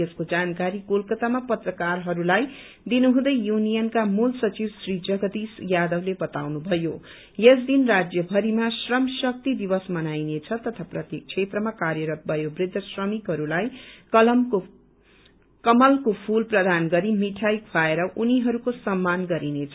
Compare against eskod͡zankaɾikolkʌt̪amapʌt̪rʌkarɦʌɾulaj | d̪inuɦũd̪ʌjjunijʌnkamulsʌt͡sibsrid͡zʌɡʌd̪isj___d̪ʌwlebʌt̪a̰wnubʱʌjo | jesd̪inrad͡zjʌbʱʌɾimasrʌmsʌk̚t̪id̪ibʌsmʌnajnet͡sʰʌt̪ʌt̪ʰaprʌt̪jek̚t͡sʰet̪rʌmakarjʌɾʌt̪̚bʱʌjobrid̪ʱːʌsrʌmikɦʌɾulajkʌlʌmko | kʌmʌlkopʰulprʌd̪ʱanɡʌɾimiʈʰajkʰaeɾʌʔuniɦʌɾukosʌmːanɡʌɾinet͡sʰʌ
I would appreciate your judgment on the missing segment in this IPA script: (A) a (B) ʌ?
A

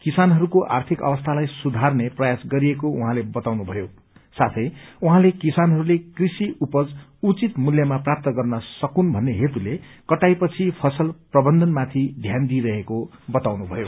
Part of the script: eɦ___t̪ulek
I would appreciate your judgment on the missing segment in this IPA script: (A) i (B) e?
B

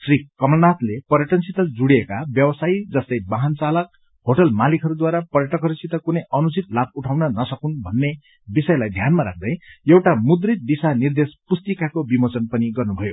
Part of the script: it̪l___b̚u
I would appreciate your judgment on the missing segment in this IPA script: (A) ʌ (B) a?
B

